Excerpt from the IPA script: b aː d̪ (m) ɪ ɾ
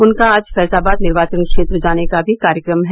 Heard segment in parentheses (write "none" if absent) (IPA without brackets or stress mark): n